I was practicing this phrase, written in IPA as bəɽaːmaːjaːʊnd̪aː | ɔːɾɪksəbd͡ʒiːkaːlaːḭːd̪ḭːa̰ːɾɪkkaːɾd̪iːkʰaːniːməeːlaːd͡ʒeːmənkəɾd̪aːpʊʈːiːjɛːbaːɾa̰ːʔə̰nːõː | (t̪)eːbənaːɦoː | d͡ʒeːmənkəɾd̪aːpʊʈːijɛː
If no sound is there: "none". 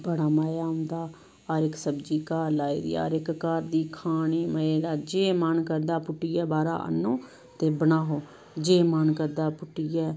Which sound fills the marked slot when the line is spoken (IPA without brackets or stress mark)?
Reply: t̪